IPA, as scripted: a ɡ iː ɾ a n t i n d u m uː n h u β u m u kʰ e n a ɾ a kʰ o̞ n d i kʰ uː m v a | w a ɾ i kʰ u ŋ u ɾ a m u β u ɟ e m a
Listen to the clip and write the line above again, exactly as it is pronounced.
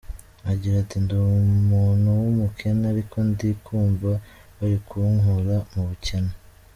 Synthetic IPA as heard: a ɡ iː ɾ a t i n d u m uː n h u w u m u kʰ e n a ɾ i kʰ o̞ n d i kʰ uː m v a | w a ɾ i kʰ u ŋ u ɾ a m u β u c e n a